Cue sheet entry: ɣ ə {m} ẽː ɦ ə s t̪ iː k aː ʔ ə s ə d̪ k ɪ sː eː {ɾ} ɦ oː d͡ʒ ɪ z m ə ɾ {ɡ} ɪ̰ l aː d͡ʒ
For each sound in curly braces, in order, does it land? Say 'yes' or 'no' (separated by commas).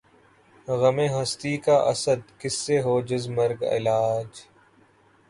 yes, no, yes